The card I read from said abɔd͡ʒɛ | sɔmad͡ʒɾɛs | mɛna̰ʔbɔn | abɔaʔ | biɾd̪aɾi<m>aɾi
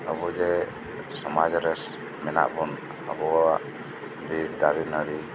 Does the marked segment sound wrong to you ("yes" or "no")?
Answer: yes